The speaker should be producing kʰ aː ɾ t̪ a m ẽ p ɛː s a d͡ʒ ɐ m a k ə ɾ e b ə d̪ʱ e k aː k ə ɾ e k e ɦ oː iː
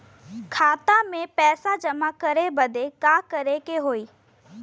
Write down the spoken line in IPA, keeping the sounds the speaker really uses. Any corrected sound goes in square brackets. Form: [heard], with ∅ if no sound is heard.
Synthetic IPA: kʰ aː [∅] t̪ a m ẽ p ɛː s a d͡ʒ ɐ m a k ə ɾ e b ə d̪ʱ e k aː k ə ɾ e k e ɦ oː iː